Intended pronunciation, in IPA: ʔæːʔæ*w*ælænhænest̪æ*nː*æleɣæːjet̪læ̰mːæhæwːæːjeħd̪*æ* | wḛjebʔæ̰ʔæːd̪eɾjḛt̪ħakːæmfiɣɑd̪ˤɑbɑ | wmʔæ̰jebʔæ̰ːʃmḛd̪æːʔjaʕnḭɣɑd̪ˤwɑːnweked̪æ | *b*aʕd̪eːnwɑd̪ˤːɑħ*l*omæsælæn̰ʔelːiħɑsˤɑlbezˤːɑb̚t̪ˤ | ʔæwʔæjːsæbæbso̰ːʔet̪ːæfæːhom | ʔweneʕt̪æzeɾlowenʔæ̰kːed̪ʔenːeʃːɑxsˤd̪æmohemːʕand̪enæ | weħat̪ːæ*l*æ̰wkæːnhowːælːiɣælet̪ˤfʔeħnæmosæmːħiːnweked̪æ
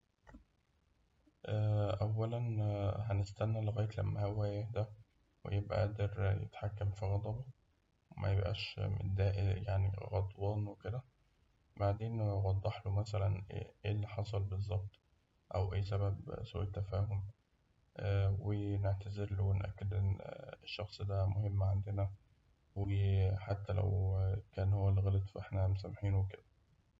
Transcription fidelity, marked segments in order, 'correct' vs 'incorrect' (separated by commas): incorrect, correct, correct, correct, correct, correct